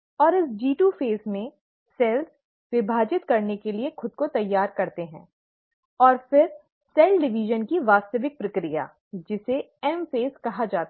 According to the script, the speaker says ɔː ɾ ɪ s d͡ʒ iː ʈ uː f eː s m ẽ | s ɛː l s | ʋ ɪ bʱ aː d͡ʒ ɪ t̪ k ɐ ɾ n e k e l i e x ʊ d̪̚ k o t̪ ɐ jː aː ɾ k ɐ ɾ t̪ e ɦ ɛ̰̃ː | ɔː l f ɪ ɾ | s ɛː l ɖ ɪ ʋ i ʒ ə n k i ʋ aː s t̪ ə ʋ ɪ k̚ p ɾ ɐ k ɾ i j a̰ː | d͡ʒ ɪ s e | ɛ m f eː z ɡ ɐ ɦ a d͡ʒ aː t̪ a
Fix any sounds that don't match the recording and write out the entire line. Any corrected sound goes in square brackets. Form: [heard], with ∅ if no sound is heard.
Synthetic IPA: ɔː ɾ ɪ s d͡ʒ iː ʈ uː f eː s m ẽ | s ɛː l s | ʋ ɪ bʱ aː d͡ʒ ɪ t̪ k ɐ ɾ n e k e l i e x ʊ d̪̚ k o t̪ ɐ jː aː ɾ k ɐ ɾ t̪ e ɦ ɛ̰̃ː | ɔː [ɾ] f ɪ ɾ | s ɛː l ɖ ɪ ʋ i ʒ ə n k i ʋ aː s t̪ ə ʋ ɪ k̚ p ɾ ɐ k ɾ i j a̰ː | d͡ʒ ɪ s e | ɛ m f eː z [k] ɐ ɦ a d͡ʒ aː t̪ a

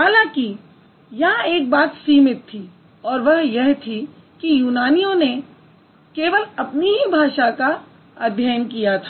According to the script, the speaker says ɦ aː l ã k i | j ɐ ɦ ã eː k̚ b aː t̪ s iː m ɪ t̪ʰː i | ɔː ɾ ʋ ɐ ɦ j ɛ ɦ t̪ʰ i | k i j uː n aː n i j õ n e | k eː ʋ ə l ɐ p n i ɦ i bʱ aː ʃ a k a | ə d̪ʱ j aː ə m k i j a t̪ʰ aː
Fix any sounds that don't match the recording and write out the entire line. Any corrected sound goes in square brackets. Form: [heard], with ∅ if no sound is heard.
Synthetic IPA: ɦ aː l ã k i | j ɐ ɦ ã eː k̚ b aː t̪ s iː m ɪ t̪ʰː i | ɔː ɾ ʋ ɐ ɦ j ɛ ɦ t̪ʰ i | k i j uː n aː n i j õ n e | k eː ʋ ə l ɐ p n i ɦ i bʱ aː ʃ a k a | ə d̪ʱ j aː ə [n] k i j a t̪ʰ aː

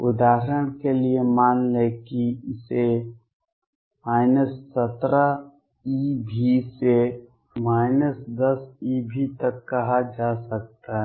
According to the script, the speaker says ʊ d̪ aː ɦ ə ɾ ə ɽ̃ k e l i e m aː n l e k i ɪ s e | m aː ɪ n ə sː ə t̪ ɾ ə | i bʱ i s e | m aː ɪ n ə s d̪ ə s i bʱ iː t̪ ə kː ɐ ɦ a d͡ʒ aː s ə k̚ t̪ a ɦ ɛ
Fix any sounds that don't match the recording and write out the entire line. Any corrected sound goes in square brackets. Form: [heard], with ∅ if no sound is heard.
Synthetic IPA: ʊ d̪ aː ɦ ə ɾ ə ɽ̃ k e l i e m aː n l e k i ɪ s e | m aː ɪ n ə sː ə t̪ ɾ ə | i bʱ i s e | m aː ɪ n ə s d̪ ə s i bʱ [i] t̪ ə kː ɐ ɦ a d͡ʒ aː s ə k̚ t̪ a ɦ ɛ

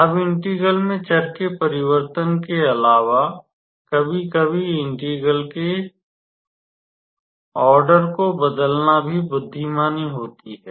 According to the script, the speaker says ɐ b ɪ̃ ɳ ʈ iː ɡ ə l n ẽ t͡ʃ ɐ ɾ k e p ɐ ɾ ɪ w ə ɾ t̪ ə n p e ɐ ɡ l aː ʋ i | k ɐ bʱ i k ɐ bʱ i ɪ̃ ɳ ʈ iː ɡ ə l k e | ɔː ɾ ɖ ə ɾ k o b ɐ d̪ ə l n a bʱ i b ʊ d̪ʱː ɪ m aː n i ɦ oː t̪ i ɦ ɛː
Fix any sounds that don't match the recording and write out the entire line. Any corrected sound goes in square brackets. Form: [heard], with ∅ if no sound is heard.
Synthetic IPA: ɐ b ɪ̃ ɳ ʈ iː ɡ ə l [m] ẽ t͡ʃ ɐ ɾ k e p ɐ ɾ ɪ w ə ɾ t̪ ə n [k] e ɐ [∅] l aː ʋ [a] | k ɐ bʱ i k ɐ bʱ i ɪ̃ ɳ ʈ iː ɡ ə l k e | ɔː ɾ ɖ ə ɾ k o b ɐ d̪ ə l n a bʱ i b ʊ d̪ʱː [i] m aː n i ɦ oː t̪ i ɦ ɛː

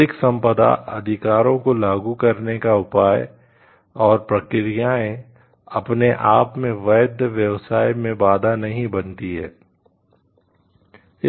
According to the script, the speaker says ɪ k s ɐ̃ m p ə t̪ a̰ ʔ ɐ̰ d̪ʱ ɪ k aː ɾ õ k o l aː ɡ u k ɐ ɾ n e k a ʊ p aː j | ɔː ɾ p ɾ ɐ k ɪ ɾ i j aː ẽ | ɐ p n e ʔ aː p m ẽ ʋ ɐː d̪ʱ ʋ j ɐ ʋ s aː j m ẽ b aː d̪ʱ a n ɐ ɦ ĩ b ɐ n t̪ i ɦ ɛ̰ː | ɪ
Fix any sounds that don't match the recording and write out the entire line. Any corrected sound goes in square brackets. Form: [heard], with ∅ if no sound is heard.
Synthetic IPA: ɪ k s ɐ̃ m p ə [d̪] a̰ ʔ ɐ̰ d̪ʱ ɪ k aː ɾ õ k o l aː ɡ u k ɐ ɾ n e k a ʊ p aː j | ɔː ɾ p ɾ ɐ k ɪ ɾ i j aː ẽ | ɐ p n e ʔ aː p m ẽ ʋ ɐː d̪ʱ ʋ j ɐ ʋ s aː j m ẽ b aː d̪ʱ a n ɐ ɦ ĩ b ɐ n t̪ i ɦ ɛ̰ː | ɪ

